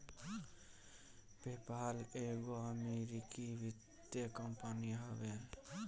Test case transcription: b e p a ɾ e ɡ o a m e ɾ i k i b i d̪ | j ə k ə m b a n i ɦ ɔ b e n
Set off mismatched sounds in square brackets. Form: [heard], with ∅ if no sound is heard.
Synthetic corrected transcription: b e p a [l] e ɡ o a m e ɾ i k i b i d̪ | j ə k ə m [p] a n i ɦ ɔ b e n